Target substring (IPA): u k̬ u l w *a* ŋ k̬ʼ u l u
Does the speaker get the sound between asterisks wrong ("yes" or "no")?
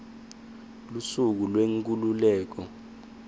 yes